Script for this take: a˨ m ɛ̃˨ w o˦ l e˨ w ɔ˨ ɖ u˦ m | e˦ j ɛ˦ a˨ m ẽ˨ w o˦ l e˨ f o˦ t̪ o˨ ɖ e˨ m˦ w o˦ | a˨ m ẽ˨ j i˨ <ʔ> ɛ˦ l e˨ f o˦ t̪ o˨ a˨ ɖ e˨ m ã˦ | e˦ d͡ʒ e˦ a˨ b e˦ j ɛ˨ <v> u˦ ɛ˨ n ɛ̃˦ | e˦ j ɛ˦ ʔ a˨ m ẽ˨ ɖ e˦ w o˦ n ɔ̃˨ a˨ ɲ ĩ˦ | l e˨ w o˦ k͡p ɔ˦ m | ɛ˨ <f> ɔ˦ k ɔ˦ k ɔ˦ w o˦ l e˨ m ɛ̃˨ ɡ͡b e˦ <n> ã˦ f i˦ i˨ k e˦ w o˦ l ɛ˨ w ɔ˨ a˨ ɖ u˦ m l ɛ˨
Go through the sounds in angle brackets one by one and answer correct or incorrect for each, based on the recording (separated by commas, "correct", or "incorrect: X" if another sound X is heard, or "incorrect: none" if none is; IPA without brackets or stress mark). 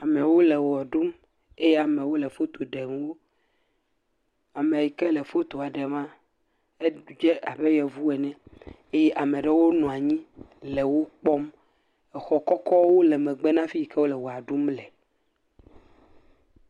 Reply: incorrect: k, correct, incorrect: x, correct